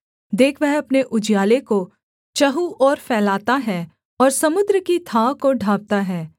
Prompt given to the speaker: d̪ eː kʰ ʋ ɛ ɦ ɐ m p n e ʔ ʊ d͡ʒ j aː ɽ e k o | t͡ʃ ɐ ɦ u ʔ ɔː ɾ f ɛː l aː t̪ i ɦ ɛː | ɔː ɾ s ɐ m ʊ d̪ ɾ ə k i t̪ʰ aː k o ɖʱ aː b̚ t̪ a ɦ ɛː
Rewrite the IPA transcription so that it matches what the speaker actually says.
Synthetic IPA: d̪ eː kʰ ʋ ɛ ɦ ɐ p n e ʔ ʊ d͡ʒ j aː l e k o | t͡ʃ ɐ ɦ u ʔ ɔː ɾ f ɛː l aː t̪ a ɦ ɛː | ɔː ɾ s ɐ m ʊ d̪ ɾ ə k i t̪ʰ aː k o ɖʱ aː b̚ t̪ a ɦ ɛː